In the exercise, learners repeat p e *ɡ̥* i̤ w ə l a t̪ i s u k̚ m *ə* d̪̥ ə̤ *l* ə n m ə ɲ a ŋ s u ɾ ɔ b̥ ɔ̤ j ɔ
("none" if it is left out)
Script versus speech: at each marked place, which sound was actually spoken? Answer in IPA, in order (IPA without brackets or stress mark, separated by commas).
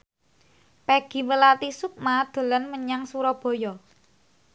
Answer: ɡ̥, a, l